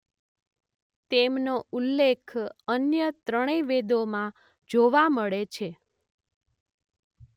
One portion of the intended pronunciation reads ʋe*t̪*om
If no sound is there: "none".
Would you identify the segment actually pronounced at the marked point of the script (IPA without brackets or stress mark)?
d̪